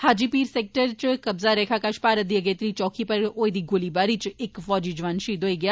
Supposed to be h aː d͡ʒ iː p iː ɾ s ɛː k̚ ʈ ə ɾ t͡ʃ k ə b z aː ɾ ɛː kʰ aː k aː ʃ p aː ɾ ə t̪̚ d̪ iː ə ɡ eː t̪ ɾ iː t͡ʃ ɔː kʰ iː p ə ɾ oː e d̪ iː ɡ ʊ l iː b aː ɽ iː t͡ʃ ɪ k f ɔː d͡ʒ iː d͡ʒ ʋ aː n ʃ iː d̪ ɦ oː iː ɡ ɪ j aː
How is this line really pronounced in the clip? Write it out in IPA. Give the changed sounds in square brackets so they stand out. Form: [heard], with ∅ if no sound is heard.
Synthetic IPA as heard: h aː d͡ʒ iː p iː ɾ s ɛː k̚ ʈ ə ɾ t͡ʃ k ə b z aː ɾ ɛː kʰ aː k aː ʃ p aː ɾ ə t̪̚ d̪ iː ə ɡ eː t̪ ɾ iː t͡ʃ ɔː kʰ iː p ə ɾ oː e d̪ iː ɡ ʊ l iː b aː [ɾ] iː t͡ʃ ɪ k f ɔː d͡ʒ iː d͡ʒ ʋ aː n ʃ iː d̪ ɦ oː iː ɡ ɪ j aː